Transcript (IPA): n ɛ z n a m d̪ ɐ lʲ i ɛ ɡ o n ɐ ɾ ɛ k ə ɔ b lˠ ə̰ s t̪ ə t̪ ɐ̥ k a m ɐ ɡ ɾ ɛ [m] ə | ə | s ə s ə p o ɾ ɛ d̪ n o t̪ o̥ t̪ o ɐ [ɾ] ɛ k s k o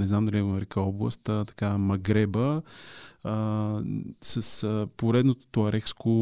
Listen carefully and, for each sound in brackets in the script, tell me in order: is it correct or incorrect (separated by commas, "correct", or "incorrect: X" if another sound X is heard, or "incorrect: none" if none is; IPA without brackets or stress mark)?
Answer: incorrect: b, correct